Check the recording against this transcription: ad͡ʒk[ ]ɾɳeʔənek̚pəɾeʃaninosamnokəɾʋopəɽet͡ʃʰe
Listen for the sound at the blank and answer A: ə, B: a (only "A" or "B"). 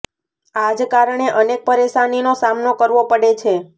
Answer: B